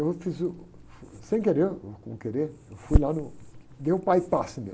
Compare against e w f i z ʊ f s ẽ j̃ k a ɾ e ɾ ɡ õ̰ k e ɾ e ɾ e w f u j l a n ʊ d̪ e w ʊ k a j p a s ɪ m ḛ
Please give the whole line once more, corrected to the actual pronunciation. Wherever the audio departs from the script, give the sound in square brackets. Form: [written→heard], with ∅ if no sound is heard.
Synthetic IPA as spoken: e w f i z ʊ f s ẽ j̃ k [a→e] ɾ e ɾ [ɡ→k] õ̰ k e ɾ e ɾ e w f u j l a n ʊ d̪ e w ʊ [k→p] a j p a s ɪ m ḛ